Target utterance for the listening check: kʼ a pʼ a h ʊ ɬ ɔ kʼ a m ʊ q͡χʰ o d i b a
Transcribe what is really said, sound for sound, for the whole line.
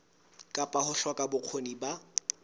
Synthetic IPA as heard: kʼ a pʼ a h ʊ ɬ ɔ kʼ a b ʊ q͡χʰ o n i b a